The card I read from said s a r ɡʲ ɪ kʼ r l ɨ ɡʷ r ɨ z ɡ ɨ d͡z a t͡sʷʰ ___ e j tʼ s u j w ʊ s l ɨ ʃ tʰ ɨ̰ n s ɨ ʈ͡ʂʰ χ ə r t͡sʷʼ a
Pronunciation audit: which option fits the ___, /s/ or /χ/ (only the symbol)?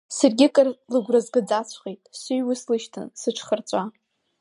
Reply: χ